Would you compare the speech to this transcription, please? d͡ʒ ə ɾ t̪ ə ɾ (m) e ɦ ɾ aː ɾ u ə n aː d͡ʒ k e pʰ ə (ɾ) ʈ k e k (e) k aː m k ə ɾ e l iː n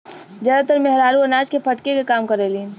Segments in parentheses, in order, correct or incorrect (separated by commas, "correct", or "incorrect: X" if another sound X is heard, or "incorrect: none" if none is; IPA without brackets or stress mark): correct, incorrect: none, correct